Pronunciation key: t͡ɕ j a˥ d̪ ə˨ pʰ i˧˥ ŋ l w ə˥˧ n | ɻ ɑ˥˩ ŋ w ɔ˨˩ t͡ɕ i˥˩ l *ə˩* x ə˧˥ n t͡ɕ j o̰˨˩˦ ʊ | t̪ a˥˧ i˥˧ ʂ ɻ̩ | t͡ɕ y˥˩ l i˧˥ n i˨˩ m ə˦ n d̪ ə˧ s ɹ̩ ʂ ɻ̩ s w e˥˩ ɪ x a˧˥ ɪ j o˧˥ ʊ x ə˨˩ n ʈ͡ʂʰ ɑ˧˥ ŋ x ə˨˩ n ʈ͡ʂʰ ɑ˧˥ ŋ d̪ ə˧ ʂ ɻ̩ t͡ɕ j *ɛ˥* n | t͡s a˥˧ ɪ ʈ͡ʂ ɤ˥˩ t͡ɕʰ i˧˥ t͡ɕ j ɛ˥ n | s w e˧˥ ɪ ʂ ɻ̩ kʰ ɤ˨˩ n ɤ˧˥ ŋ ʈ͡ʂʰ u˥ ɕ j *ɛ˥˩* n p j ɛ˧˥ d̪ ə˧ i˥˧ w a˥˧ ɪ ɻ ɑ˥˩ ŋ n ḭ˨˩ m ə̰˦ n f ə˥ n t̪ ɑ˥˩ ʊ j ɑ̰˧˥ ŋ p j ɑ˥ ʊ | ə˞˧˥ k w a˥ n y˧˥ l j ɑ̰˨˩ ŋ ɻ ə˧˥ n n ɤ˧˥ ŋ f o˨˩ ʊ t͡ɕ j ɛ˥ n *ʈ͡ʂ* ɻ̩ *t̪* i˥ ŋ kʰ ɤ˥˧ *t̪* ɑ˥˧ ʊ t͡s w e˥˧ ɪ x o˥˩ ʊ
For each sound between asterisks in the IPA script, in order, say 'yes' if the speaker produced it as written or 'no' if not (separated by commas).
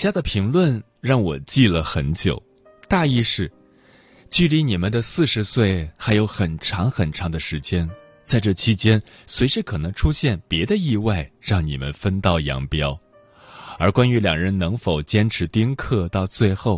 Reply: yes, yes, yes, no, yes, yes